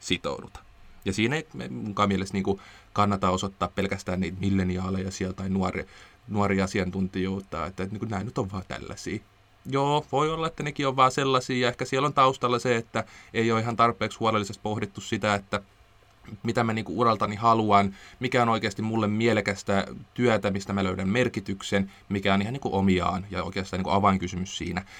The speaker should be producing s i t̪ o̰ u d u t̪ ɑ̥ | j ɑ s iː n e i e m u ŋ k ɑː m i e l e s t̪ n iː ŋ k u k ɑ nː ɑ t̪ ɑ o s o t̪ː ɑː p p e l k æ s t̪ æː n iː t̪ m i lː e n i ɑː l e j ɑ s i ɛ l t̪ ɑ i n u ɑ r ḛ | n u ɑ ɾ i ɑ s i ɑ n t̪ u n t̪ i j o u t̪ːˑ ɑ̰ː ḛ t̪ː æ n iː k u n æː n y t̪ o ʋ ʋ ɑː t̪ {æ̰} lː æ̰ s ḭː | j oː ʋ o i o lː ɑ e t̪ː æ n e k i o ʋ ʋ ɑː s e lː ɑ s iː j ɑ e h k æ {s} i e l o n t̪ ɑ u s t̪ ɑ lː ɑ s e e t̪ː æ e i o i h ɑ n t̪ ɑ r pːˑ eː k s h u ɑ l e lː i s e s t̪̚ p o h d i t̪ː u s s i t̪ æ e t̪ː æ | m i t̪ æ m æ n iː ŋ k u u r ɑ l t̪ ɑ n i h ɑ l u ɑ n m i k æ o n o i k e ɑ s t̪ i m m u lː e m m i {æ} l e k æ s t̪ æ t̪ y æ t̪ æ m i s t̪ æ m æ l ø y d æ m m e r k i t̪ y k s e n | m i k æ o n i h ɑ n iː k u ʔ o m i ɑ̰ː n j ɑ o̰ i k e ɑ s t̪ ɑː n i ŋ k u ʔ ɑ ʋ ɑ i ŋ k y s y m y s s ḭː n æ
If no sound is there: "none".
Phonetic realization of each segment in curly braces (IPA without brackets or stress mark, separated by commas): æ̰, s, e